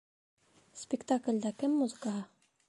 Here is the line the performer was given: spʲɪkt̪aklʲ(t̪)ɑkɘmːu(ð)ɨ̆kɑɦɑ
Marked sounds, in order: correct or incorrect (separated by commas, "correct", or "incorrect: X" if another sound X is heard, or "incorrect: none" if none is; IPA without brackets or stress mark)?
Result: incorrect: d̪, incorrect: z